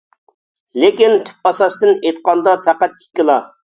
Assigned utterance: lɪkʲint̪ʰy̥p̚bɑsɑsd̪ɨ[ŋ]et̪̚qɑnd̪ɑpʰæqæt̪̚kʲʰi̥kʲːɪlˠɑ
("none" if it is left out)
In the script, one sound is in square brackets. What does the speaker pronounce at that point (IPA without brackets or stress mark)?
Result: n